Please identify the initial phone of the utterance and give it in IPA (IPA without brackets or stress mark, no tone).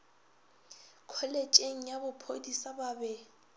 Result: kʰ